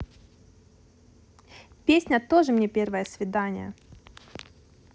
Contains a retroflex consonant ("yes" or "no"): yes